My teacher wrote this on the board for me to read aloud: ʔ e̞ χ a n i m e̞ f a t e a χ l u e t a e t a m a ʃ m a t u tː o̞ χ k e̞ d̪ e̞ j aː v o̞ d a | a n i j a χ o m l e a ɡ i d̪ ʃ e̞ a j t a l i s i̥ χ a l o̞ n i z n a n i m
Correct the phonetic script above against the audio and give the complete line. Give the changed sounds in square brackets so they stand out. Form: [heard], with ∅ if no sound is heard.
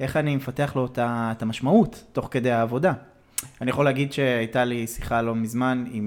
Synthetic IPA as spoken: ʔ e̞ χ a n i m e̞ f a t e a χ l [o] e t a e t a m a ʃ m a [∅] u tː o̞ χ k e̞ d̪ e̞ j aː v o̞ d a | a n i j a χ o [∅] l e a ɡ i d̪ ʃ e̞ a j t a l i s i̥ χ a l o̞ [m] i z [m] a n i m